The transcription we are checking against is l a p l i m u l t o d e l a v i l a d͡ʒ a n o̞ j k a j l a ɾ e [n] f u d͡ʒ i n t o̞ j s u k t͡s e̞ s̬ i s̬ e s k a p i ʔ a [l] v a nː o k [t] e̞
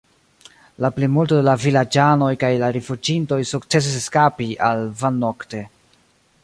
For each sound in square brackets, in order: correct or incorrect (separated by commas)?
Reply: incorrect, correct, correct